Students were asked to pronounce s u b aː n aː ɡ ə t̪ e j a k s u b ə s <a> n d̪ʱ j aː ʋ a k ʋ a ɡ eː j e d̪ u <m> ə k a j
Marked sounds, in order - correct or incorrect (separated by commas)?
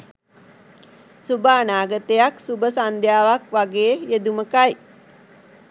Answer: correct, correct